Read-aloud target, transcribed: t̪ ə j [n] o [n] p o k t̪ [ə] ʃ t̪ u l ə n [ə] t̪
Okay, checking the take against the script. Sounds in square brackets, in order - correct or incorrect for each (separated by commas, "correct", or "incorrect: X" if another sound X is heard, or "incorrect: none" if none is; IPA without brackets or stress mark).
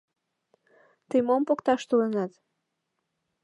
incorrect: m, incorrect: m, incorrect: ɑ, incorrect: ɑ